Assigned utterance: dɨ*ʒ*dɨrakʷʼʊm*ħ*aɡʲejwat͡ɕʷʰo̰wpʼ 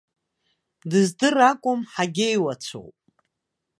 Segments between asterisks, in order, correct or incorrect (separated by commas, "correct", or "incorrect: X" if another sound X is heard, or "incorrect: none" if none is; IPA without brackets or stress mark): incorrect: z, correct